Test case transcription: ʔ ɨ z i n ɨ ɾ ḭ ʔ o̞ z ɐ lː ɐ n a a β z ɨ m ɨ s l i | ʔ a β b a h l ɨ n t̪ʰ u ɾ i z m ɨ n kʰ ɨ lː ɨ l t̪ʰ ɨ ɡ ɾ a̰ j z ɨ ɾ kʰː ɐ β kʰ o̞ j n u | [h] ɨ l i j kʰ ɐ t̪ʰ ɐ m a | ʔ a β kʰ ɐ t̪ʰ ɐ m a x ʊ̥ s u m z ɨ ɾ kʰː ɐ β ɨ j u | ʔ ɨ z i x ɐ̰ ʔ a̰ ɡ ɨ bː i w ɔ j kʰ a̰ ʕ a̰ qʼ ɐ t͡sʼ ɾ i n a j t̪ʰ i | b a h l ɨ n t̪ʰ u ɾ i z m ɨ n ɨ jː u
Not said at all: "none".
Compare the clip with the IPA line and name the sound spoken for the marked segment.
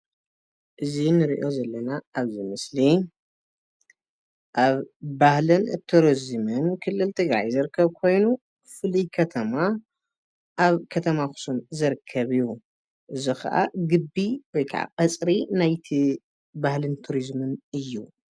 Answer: f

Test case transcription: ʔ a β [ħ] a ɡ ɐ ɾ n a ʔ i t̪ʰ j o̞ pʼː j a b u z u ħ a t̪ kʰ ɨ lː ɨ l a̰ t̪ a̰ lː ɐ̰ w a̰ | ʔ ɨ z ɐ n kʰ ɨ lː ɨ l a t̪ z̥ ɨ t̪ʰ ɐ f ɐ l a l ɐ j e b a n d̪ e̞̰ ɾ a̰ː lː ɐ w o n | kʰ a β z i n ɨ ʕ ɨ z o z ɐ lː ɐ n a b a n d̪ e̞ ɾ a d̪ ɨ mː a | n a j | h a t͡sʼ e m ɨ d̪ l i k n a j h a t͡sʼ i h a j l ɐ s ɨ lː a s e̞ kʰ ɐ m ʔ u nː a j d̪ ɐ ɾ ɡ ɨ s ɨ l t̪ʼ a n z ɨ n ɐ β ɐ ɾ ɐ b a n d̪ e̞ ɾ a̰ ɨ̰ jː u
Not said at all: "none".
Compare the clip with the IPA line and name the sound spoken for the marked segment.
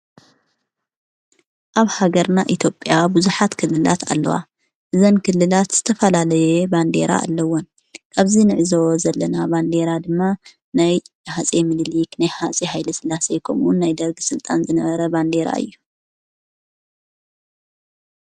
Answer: h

